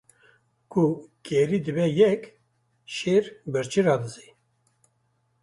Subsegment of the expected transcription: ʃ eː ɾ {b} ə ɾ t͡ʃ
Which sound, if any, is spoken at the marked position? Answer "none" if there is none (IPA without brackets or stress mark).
b